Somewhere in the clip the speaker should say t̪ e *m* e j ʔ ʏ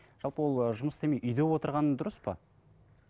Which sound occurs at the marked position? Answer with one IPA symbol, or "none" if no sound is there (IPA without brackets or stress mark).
m